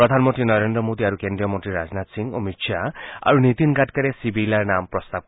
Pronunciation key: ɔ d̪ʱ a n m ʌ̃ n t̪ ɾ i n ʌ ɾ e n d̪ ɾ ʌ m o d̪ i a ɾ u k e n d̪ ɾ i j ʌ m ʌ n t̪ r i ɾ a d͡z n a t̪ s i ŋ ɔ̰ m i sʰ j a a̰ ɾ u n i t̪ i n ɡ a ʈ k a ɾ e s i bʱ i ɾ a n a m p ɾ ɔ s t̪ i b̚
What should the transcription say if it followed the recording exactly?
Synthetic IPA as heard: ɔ d̪ʱ a n m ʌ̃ n t̪ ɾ i n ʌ ɾ e n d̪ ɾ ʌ m o d̪ i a ɾ u k e n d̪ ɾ i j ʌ m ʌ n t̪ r i ɾ a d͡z n a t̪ s i ŋ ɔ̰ m i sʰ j a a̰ ɾ u n i t̪ i n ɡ a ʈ k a ɾ e s i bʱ i l a n a m p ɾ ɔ s t̪ a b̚